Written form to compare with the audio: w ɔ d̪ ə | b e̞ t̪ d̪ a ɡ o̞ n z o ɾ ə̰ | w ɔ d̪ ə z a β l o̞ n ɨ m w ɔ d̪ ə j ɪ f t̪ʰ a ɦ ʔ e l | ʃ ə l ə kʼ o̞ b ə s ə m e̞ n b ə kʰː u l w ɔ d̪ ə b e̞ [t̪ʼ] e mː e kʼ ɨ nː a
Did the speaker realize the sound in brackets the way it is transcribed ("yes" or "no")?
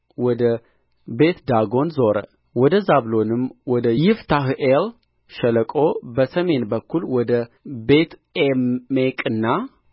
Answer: no